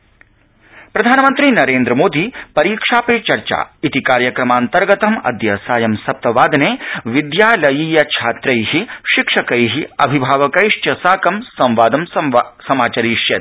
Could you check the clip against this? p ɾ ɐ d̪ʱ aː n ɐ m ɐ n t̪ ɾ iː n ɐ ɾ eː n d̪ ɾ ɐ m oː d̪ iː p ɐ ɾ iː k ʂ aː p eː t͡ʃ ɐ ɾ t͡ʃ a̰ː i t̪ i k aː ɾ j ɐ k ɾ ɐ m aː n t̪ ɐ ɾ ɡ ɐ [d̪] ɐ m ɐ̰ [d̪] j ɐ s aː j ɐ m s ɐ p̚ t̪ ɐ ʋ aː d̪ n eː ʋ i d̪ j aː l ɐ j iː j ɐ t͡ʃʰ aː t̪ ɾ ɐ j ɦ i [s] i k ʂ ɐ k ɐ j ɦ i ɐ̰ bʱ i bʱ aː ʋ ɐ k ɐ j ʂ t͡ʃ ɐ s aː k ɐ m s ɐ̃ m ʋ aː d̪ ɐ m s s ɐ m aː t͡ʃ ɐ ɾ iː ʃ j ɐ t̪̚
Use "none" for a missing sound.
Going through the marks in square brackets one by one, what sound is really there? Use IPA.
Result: t̪, d̪, ʃ

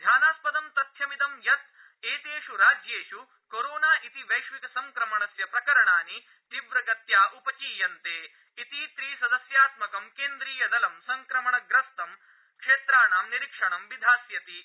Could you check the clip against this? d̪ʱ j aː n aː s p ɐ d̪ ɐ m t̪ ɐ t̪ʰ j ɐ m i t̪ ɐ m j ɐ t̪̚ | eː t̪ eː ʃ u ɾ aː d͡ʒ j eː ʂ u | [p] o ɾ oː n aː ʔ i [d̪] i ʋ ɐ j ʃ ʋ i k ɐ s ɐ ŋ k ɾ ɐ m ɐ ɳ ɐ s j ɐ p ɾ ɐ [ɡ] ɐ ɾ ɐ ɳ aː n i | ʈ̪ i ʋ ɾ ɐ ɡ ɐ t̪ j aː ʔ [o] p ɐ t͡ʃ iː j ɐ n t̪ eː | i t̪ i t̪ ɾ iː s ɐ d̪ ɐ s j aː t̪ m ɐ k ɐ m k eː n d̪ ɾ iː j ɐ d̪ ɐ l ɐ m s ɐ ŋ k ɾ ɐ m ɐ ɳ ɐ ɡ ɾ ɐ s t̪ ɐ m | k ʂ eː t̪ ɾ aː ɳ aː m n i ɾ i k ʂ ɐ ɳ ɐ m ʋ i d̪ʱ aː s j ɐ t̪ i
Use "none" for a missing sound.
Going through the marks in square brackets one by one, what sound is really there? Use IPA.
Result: k, t̪, k, u

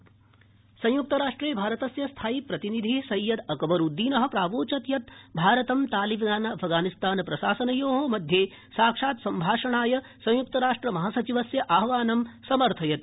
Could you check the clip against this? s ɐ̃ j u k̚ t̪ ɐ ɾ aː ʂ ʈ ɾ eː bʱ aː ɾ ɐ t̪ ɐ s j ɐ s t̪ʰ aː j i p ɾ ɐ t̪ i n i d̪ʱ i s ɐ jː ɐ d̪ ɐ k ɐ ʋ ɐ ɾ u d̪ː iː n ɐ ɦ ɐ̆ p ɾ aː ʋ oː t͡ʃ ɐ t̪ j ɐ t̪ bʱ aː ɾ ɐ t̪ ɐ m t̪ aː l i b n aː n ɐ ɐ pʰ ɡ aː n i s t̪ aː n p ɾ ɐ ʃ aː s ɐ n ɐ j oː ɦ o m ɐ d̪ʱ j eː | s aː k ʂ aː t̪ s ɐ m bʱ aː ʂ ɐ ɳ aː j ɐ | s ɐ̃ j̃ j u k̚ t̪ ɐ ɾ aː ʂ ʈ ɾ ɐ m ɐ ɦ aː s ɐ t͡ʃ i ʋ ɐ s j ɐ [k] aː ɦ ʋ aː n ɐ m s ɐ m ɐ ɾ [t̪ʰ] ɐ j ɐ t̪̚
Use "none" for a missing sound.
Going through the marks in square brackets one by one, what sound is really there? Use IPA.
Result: ʔ, t̪ʰ

